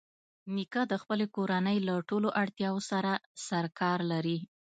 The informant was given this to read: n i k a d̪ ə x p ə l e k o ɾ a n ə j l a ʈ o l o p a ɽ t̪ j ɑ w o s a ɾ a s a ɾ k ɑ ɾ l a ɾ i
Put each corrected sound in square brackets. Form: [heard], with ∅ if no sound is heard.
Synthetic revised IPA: n i k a d̪ ə x p ə l e k o ɾ a n ə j l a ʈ o l o [ʔ] a ɽ t̪ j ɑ w o s a ɾ a s a ɾ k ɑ ɾ l a ɾ i